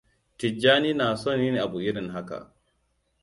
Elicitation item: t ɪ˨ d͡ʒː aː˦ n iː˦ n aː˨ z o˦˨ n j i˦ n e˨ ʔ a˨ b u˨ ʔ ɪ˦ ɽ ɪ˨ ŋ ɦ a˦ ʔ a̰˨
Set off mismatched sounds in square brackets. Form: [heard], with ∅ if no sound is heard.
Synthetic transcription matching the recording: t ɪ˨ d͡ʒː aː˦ n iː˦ n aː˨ [s] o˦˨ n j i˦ n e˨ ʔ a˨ b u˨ ʔ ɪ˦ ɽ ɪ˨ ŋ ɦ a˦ [k] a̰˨